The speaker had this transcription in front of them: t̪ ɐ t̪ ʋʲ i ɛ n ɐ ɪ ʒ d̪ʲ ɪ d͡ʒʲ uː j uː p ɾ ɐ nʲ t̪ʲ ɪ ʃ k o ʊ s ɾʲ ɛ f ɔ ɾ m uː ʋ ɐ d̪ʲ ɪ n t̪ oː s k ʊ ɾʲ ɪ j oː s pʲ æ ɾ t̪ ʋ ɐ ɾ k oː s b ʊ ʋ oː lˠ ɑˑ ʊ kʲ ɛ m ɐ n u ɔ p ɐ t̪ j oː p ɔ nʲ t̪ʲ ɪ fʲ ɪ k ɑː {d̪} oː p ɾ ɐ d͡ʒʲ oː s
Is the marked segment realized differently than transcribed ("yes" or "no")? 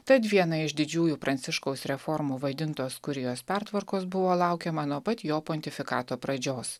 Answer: yes